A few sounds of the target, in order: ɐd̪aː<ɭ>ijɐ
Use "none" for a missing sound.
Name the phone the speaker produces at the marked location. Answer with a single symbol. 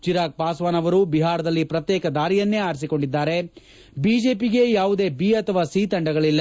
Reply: ɾ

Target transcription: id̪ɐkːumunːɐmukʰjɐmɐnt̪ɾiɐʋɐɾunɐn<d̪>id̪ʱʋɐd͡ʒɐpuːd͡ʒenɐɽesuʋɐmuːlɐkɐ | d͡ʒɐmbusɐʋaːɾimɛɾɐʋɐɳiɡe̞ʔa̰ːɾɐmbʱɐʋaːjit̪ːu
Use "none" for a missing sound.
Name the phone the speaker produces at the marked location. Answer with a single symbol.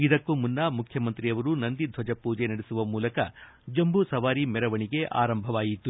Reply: d̪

